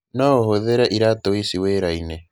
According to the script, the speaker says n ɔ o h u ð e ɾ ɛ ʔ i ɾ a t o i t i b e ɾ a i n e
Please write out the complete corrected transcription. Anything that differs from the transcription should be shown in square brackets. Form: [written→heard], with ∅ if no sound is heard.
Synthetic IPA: n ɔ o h [u→o] ð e ɾ ɛ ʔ i ɾ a t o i [t→s] i [b→w] e ɾ a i n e